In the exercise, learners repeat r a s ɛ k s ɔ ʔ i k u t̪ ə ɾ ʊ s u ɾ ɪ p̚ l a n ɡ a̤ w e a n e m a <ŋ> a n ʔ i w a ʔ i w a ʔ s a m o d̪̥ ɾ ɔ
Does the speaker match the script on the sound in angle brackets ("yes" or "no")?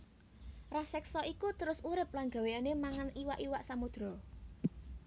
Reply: yes